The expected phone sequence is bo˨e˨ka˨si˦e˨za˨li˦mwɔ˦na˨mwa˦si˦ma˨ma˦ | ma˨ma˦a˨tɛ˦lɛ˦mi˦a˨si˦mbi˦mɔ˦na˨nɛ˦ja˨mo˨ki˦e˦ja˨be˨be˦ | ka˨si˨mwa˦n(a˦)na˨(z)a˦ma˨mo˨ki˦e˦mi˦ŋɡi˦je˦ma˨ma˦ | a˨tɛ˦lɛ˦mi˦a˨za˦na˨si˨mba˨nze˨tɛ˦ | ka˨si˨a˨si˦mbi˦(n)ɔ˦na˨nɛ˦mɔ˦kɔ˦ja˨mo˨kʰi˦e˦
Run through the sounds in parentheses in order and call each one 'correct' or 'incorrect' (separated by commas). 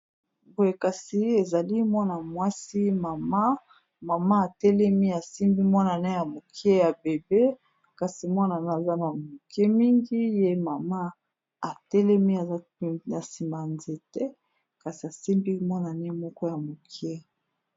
incorrect, correct, incorrect